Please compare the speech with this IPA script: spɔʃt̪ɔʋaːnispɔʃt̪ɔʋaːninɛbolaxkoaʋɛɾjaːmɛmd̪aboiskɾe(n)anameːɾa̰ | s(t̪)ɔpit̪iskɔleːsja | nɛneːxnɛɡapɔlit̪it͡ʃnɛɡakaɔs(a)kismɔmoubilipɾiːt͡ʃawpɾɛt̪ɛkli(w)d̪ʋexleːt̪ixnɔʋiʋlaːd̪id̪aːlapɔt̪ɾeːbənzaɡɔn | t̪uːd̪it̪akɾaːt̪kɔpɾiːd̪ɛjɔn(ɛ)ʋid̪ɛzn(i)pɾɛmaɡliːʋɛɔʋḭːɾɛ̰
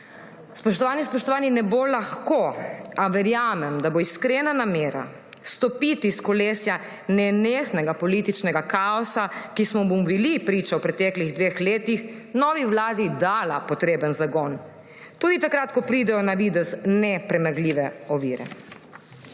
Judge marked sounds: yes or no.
yes, yes, yes, no, no, no

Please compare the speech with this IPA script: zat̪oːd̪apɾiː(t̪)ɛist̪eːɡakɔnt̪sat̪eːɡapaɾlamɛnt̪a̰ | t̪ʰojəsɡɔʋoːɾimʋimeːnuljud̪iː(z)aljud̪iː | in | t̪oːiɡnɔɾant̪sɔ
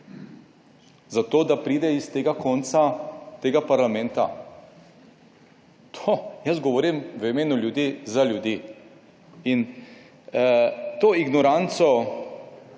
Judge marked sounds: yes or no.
no, yes

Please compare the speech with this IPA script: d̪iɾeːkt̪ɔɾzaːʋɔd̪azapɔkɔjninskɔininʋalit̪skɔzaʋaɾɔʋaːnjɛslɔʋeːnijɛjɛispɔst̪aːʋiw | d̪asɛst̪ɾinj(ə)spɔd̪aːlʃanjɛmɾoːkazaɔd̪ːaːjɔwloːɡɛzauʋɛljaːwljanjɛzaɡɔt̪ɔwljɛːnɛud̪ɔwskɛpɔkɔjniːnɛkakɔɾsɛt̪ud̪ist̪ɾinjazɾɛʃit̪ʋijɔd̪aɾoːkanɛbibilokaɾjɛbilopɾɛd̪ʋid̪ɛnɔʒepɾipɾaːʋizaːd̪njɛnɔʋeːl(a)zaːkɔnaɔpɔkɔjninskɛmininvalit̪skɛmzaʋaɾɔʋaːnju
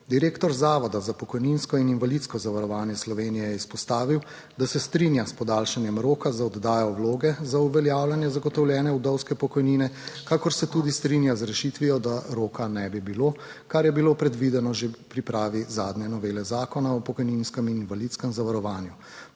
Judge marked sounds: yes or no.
no, no

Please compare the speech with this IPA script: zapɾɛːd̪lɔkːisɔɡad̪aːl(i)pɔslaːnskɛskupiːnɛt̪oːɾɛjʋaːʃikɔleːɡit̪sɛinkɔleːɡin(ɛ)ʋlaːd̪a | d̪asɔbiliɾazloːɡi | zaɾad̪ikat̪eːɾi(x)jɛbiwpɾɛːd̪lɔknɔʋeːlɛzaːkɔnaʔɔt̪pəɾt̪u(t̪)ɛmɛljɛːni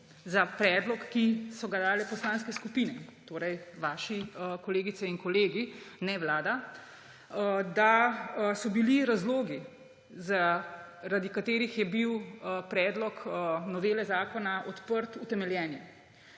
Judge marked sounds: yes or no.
no, yes, yes, yes

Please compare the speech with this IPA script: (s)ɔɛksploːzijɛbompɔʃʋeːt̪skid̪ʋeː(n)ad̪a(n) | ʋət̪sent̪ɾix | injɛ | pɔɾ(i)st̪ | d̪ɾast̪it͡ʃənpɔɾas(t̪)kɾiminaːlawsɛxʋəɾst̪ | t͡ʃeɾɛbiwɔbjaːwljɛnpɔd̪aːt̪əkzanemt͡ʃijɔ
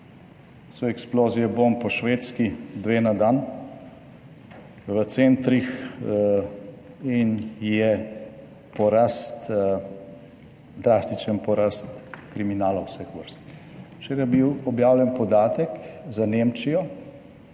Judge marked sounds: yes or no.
yes, yes, yes, no, yes

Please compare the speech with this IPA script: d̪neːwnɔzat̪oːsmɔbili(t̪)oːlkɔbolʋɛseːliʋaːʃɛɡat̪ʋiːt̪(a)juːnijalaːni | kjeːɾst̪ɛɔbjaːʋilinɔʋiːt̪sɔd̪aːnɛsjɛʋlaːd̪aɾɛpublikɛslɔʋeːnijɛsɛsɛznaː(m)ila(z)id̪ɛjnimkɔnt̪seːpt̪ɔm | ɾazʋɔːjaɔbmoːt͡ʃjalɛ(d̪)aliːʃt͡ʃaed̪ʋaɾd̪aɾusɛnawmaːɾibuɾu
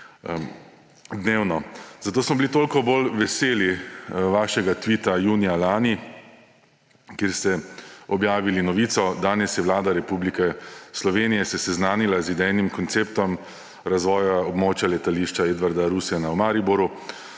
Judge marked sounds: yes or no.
yes, yes, no, yes, no

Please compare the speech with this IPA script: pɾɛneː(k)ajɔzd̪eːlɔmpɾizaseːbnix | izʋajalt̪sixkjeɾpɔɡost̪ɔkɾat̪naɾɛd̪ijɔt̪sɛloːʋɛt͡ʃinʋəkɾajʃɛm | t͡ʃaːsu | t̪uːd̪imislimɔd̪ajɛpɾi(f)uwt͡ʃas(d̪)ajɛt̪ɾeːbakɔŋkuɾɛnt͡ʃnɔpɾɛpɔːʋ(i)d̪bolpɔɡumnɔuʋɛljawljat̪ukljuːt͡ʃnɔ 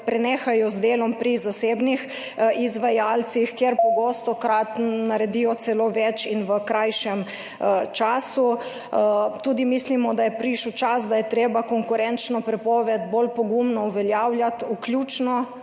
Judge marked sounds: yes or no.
no, no, yes, no

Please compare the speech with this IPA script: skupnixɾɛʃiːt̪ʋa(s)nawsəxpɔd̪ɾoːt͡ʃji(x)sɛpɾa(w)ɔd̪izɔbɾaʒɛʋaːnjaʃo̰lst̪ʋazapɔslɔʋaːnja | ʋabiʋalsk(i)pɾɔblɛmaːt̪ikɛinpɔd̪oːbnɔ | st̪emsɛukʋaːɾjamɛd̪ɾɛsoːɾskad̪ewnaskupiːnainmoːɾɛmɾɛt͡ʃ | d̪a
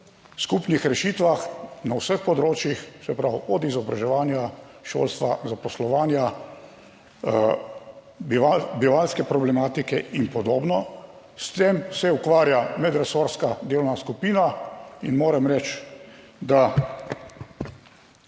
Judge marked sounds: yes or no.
no, yes, yes, no

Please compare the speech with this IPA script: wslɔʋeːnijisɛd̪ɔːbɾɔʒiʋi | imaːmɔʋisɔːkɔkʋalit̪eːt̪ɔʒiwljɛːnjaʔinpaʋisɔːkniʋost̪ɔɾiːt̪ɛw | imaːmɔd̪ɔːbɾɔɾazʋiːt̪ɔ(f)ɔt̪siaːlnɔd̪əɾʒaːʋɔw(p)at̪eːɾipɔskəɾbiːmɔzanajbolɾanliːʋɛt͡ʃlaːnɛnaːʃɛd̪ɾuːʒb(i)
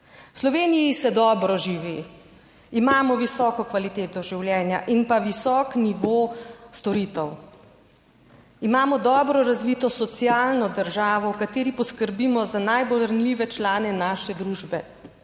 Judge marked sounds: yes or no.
no, no, no

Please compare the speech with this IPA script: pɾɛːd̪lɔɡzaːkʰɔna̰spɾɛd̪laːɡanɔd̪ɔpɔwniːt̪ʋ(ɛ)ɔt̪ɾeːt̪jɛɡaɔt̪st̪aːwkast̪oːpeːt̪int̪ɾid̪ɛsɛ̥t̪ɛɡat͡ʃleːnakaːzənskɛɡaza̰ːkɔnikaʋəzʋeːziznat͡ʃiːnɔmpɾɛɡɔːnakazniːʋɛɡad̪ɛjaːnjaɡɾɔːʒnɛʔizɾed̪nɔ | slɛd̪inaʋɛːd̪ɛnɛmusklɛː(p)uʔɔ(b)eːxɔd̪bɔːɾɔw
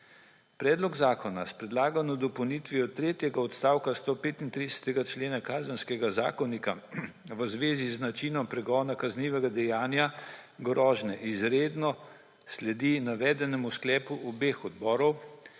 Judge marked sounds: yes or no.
no, yes, yes

